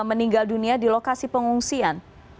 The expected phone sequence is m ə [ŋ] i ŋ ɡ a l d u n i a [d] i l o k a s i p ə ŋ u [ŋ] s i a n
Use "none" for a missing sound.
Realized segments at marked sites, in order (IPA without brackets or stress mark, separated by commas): n, d, ŋ